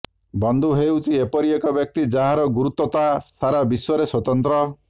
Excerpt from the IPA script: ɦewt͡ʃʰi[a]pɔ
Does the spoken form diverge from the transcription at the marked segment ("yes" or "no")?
yes